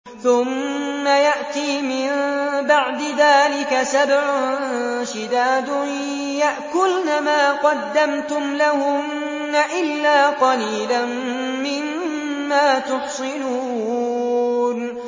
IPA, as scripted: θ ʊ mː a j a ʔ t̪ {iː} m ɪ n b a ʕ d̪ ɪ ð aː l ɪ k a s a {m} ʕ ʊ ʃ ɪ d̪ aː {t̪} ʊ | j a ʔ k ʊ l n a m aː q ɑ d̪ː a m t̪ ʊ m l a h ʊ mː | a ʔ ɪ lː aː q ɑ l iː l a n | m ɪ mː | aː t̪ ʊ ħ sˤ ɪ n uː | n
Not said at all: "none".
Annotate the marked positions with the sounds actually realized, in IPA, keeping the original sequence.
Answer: iː, b, d̪

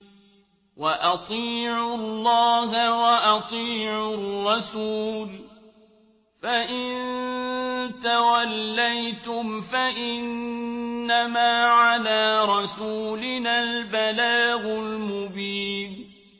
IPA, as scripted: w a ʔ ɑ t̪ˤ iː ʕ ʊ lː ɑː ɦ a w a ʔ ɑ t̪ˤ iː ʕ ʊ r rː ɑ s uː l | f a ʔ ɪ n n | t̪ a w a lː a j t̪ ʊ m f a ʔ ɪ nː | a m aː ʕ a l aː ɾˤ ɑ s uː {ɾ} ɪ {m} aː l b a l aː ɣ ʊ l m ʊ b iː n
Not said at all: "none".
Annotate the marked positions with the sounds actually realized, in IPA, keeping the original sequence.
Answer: l, n

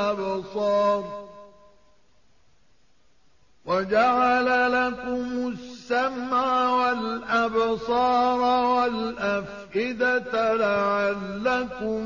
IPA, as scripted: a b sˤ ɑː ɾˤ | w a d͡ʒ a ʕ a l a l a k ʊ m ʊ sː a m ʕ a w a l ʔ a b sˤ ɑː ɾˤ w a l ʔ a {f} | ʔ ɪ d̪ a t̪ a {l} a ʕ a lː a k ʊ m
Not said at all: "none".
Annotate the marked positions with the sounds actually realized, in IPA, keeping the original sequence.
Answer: f, l

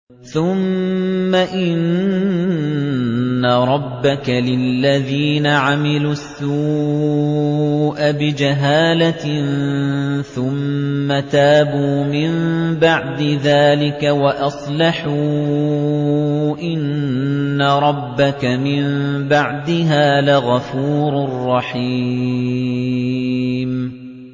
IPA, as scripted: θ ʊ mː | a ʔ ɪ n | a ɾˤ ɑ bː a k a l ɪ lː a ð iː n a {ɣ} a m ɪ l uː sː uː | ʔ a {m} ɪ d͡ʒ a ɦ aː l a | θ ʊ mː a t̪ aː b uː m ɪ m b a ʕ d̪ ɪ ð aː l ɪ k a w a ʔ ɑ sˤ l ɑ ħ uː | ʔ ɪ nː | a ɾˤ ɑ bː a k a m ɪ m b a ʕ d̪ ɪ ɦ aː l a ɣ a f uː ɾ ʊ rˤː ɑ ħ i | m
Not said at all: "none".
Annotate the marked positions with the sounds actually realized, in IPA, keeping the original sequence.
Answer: ʕ, b

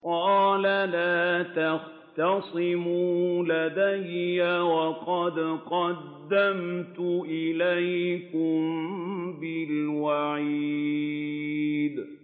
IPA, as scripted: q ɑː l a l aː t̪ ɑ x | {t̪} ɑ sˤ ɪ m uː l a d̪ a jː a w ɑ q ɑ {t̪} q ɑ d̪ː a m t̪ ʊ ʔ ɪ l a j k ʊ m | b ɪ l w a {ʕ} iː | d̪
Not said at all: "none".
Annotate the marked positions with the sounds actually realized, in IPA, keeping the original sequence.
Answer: t̪, d̪, ʕ

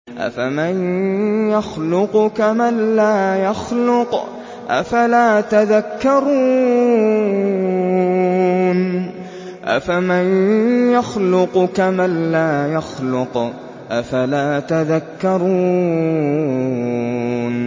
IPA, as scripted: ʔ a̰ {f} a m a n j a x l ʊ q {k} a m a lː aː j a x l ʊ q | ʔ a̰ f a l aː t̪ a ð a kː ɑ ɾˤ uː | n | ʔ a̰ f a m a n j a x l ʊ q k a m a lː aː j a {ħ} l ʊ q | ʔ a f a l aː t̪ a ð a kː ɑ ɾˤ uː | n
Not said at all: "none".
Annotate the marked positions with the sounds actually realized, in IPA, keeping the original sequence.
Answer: f, k, x

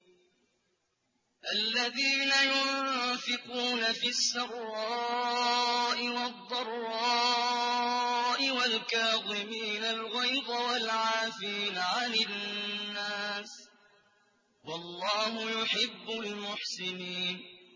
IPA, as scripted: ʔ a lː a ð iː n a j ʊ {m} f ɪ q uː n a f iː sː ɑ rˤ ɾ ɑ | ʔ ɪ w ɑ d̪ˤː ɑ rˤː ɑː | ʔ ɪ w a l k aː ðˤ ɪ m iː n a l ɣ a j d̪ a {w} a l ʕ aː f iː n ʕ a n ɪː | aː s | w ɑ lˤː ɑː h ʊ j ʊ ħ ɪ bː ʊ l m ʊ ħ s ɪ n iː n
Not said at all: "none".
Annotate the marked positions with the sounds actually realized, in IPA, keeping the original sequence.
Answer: n, w

